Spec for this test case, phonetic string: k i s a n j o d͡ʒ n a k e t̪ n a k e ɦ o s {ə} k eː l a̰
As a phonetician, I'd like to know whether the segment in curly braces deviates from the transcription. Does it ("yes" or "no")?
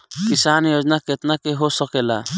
no